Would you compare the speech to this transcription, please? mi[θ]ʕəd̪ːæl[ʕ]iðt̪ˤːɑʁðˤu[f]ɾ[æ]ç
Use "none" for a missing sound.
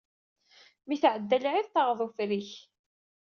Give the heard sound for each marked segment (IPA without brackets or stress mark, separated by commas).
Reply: θ, ʕ, f, i